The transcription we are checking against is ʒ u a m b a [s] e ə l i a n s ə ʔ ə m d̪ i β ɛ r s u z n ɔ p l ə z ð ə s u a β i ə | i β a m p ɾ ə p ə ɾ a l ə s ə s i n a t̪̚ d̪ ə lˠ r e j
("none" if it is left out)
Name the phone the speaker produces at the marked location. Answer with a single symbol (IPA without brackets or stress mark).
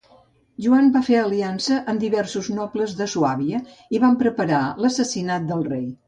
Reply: f